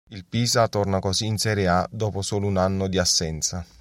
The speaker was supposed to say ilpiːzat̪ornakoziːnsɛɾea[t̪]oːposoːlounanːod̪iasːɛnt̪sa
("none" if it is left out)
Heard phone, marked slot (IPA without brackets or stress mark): d̪